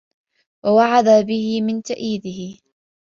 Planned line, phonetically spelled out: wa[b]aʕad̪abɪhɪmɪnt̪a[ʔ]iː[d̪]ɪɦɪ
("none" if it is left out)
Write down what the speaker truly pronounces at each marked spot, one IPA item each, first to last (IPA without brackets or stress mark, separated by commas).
w, ʔ, d̪